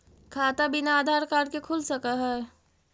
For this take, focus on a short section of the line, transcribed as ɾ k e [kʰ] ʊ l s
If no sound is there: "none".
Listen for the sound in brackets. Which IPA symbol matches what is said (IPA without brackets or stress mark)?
kʰ